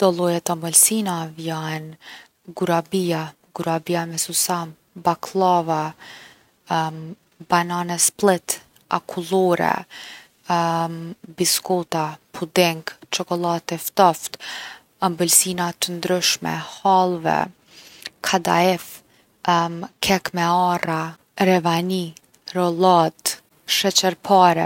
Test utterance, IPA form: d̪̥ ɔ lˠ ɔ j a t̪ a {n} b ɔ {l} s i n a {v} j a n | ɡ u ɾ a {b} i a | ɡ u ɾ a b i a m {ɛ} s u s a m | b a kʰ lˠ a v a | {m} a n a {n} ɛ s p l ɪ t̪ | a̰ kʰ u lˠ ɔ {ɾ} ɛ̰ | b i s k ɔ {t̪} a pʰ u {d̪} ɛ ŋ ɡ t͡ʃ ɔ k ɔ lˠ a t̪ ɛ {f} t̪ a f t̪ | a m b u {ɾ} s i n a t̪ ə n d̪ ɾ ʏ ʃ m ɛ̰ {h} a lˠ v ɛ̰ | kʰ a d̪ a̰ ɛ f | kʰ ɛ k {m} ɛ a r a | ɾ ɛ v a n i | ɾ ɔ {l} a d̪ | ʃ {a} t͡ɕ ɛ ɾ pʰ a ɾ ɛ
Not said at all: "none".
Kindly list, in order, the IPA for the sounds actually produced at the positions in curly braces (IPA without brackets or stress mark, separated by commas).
m, l, v, b, ɛ, b, n, ɾ, t̪, d̪, f, l, h, m, l, ɛ